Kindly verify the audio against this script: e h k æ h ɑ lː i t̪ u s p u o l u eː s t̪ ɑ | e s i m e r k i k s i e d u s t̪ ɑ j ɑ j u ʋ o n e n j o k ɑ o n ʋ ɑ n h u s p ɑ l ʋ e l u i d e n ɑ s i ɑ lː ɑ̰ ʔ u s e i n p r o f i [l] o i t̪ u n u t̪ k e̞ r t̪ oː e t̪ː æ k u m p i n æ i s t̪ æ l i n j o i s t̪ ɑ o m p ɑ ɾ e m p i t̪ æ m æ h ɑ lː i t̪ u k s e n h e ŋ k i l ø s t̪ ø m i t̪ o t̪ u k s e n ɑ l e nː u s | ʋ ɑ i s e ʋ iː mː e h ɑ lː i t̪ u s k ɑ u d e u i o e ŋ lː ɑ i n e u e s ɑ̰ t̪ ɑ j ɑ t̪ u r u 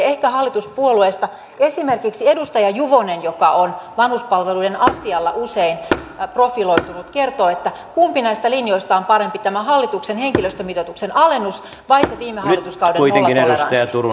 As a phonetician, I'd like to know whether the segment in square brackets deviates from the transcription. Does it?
no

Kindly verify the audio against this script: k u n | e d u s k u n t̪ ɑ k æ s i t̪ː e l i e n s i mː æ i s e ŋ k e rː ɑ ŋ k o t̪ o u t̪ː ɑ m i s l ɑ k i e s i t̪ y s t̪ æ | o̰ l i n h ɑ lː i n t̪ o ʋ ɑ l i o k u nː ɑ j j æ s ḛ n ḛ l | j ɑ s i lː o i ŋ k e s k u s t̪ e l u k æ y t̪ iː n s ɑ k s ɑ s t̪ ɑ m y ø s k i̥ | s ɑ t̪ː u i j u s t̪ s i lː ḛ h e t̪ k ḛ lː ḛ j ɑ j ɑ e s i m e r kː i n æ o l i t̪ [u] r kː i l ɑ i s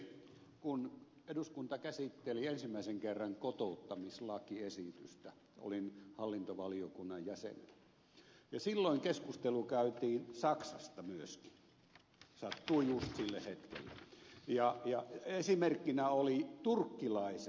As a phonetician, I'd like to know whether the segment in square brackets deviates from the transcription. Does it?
no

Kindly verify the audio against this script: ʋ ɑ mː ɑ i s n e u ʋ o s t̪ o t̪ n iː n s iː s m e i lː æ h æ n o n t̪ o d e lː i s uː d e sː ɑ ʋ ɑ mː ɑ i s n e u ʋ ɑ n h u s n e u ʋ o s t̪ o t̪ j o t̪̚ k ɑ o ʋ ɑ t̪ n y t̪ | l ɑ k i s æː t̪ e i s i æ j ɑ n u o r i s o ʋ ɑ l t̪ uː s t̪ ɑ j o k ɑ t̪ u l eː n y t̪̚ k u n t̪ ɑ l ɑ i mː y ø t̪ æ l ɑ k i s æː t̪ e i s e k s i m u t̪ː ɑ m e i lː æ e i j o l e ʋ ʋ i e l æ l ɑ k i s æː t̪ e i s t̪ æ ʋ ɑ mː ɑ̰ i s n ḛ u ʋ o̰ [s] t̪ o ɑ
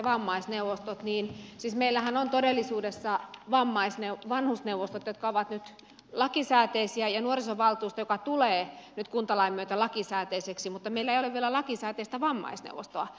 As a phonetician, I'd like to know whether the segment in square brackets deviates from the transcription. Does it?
no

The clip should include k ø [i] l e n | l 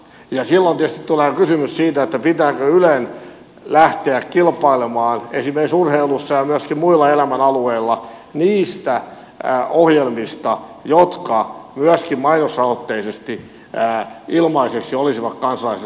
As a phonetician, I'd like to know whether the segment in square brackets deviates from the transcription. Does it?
yes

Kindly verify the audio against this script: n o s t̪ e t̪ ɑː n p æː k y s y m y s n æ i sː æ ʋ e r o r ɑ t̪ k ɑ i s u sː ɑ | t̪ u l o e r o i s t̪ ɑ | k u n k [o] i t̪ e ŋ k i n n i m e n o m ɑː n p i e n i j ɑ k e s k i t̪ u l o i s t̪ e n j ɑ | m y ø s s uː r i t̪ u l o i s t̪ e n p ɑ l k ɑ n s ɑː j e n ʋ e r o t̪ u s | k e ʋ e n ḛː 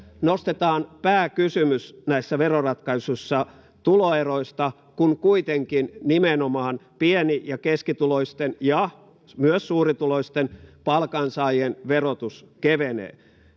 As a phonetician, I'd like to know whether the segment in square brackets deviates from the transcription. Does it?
yes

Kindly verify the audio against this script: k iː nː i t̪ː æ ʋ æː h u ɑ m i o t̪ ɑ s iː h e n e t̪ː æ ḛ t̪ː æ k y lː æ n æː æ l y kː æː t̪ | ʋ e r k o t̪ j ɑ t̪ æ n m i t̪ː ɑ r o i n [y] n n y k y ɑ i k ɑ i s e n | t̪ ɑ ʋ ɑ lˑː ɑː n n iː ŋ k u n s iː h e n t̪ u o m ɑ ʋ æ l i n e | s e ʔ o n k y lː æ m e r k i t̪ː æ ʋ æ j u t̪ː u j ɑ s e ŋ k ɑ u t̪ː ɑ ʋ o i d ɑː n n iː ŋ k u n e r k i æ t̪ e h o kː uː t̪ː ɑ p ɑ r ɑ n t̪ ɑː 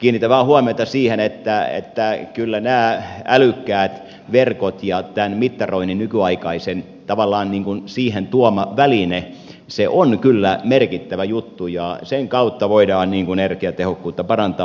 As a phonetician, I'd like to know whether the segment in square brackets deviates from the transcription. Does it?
yes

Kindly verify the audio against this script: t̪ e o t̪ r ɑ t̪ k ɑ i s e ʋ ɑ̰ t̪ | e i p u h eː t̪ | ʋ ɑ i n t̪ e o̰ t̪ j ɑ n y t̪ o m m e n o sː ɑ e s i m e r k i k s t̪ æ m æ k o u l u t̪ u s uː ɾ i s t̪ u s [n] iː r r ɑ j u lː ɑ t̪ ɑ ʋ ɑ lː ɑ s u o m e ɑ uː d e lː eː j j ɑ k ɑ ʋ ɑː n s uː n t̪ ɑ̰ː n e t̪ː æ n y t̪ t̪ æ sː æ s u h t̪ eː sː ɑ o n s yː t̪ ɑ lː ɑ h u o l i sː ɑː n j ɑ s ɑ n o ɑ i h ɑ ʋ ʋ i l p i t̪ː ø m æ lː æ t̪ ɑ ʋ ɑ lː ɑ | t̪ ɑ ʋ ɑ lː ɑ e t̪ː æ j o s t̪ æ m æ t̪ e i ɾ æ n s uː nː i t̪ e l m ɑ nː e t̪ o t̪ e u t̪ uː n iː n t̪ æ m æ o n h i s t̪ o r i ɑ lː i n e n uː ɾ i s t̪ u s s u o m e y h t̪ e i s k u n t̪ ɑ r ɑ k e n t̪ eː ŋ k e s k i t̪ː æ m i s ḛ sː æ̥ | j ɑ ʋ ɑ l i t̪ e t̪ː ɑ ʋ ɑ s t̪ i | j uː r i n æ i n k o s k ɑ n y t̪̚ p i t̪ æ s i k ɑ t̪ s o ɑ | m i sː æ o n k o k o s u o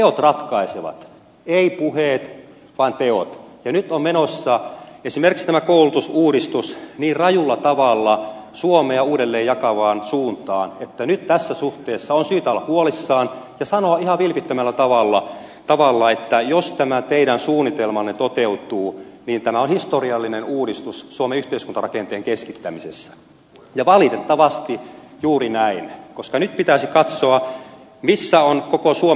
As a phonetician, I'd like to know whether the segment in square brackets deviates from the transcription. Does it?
no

